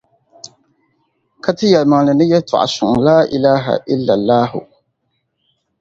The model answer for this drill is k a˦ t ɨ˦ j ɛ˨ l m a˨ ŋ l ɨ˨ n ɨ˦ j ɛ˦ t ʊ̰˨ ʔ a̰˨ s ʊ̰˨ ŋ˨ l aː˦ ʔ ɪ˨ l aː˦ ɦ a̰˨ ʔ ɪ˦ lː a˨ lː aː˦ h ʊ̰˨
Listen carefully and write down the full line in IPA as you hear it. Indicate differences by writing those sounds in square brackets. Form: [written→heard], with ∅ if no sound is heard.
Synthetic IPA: k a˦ t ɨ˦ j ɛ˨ l m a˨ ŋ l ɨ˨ n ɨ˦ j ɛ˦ t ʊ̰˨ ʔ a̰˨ s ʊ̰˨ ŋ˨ l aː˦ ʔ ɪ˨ l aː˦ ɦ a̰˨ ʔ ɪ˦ lː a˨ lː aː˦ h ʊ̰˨

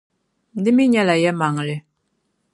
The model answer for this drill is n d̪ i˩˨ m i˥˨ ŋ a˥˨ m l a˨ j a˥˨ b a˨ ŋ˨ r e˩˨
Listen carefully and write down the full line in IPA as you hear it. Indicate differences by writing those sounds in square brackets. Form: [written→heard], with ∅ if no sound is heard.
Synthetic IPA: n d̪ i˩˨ m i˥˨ [ŋ→ɲ] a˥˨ [m→∅] l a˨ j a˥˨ [b→m] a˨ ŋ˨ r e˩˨

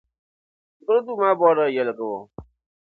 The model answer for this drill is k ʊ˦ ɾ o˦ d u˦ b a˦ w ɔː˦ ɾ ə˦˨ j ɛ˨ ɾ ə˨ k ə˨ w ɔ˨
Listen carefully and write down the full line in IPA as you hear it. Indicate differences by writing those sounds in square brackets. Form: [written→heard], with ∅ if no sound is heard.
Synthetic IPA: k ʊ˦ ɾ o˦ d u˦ [b→m] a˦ [w→b] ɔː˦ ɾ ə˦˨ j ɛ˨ [ɾ→l] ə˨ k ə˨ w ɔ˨

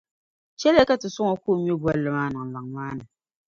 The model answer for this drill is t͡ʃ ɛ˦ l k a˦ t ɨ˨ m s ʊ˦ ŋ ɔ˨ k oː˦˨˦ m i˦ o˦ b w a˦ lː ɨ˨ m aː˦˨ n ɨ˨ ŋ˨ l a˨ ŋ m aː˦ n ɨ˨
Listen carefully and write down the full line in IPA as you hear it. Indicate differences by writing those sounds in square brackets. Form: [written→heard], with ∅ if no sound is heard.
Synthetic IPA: t͡ʃ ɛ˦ l k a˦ t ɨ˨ [m→∅] s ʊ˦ ŋ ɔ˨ k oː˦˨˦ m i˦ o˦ b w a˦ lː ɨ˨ m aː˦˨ n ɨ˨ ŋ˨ l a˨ ŋ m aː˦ n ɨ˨

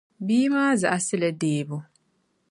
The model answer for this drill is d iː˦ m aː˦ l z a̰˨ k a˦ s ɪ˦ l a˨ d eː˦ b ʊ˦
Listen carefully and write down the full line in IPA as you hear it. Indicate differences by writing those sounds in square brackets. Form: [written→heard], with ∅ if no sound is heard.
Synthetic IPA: [d→b] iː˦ m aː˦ [l→∅] z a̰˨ [k→ʔ] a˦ s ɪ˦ l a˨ d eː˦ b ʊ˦

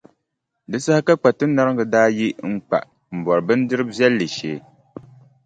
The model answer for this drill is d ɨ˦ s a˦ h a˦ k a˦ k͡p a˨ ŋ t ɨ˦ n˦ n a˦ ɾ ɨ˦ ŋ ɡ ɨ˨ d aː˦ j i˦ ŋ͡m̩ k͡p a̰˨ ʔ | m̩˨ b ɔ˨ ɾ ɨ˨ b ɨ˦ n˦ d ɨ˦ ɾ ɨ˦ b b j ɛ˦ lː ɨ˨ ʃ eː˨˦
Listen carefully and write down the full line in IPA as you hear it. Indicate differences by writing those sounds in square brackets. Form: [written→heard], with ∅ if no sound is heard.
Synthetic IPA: d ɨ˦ s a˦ h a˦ k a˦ k͡p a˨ [ŋ→∅] t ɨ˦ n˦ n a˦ ɾ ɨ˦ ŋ ɡ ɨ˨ d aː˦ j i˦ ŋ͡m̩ k͡p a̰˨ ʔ | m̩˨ b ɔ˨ ɾ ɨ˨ b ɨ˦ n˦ d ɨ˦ ɾ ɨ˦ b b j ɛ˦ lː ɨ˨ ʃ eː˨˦

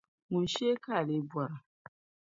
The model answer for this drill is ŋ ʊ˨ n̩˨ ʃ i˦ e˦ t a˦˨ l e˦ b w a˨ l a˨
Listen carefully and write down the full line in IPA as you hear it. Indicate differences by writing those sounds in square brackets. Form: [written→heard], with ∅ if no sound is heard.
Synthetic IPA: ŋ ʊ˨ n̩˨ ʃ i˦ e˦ [t→k] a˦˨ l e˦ b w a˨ [l→ɾ] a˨

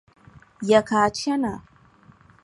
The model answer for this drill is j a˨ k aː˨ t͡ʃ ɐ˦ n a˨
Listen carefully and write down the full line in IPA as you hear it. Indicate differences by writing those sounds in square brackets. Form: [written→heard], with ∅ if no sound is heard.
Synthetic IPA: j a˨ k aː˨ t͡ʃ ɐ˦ n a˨

